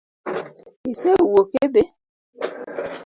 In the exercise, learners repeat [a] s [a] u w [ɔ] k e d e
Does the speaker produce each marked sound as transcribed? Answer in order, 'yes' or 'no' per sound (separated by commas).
no, no, no